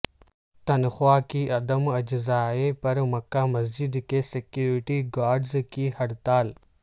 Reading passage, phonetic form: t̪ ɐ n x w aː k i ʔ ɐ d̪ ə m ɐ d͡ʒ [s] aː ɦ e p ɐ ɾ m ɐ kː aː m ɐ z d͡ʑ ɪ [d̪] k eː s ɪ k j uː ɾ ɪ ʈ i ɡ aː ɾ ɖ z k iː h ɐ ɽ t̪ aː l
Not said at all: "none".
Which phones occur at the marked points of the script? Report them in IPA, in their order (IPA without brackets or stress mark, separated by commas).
z, d̪